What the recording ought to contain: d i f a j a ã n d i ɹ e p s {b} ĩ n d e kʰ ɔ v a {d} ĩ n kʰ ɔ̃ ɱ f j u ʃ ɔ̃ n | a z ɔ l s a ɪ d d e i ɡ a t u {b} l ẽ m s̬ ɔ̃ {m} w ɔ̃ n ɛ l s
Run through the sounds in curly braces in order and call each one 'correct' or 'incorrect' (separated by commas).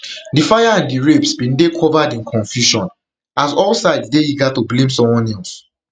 correct, correct, correct, correct